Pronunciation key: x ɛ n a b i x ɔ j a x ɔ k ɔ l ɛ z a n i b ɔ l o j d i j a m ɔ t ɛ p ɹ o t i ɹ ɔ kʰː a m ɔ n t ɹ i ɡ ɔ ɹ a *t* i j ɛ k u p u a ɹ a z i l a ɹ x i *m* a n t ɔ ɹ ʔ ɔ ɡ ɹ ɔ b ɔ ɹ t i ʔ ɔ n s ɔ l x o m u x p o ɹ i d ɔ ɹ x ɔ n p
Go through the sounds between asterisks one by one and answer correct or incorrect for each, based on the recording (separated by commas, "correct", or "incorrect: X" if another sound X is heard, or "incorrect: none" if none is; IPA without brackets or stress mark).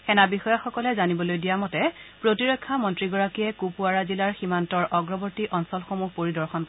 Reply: incorrect: k, correct